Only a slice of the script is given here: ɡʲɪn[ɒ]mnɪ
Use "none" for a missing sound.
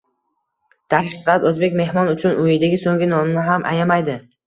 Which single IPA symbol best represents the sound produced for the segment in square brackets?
ɒ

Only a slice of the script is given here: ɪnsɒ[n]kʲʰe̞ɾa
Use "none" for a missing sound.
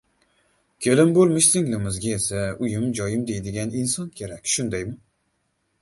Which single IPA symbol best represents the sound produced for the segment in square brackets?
n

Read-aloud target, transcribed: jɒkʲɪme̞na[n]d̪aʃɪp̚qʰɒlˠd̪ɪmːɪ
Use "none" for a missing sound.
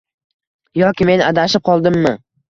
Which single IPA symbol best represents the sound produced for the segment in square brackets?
none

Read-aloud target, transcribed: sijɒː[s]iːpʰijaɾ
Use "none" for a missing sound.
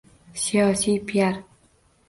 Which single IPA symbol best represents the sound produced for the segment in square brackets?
s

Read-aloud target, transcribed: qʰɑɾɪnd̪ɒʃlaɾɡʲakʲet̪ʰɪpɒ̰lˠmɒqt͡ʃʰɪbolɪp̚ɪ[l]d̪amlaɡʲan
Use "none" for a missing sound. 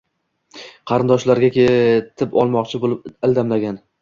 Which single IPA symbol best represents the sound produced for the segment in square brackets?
l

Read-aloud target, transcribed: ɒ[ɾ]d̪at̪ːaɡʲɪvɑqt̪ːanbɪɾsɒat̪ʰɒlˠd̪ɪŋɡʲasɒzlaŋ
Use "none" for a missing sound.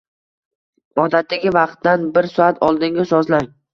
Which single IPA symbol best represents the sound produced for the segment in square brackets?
none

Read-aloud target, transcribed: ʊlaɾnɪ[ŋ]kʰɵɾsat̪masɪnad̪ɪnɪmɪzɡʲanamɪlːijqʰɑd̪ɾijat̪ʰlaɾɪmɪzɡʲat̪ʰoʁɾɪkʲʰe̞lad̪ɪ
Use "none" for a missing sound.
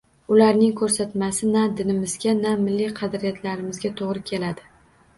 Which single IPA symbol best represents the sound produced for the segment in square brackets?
ŋ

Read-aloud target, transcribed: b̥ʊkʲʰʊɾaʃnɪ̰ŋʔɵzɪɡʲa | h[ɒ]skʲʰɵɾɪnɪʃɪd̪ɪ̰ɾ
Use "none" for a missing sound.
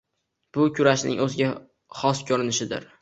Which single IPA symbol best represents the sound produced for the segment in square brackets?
ɒ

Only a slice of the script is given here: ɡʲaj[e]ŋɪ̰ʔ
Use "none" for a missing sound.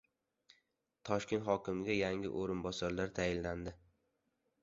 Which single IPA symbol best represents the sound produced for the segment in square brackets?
a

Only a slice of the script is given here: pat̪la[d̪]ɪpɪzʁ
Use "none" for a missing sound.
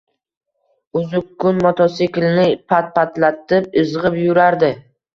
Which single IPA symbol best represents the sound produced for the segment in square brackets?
t̪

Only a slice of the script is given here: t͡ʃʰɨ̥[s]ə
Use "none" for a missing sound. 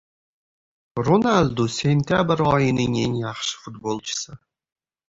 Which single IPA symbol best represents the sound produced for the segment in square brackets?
s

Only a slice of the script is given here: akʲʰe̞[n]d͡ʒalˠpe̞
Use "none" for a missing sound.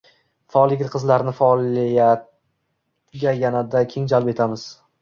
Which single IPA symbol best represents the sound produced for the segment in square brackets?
ŋ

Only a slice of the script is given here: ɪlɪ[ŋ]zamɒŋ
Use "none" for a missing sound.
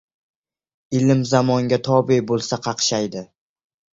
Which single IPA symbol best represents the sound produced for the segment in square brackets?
m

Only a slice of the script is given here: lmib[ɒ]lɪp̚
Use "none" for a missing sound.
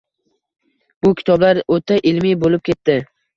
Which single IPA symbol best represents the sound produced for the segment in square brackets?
o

